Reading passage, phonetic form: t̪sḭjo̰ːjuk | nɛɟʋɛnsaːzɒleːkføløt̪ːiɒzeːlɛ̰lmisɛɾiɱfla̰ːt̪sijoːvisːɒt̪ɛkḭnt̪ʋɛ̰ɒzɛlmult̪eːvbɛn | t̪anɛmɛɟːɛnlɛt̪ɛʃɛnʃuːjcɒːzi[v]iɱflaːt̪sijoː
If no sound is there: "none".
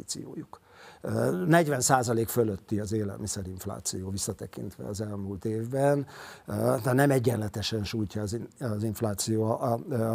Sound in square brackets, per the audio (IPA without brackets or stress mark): z